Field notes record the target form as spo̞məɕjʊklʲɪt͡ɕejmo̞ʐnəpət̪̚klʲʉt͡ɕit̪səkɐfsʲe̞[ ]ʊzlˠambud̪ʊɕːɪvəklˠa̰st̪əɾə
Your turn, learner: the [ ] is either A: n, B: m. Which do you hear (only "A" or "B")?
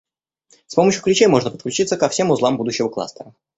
B